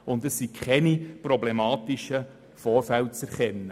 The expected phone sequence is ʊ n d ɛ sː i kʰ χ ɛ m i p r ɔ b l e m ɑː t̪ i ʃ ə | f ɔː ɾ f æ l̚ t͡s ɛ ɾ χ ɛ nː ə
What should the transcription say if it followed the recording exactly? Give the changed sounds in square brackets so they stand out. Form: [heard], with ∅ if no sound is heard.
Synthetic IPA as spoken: ʊ n d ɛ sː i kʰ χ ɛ [n] i p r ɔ b l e m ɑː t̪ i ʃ ə | f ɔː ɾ f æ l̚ t͡s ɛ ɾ χ ɛ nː ə